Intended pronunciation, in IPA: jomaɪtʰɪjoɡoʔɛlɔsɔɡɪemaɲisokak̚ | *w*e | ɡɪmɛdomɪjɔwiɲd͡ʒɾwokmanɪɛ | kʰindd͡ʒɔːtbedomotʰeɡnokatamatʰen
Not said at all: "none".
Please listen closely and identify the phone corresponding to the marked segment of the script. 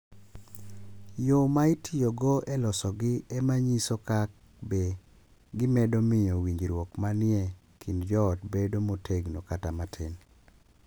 b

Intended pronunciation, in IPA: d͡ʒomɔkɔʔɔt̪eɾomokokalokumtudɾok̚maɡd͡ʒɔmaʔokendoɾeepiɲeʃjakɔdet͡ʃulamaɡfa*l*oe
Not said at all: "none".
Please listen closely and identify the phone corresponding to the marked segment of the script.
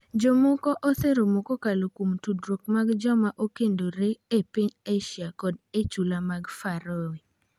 ɾ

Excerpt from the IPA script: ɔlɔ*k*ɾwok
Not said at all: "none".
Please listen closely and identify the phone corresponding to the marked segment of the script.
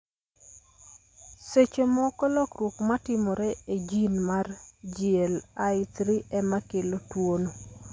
k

